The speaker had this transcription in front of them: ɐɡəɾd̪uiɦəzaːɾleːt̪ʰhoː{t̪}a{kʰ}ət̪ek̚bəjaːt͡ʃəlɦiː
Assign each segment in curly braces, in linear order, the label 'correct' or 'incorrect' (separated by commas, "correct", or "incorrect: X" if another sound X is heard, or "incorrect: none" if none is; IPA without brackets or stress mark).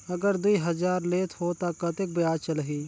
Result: correct, incorrect: k